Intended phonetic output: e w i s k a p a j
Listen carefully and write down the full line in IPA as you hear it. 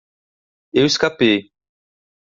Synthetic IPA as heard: e w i s k a p e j